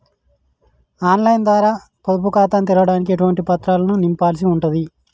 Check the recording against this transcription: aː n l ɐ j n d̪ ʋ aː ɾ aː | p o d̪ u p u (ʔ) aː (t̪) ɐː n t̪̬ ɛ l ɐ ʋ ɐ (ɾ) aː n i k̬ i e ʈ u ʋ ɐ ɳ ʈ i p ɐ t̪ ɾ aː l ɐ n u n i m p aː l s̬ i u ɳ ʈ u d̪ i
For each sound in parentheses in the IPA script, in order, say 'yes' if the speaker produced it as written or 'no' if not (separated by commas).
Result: no, yes, no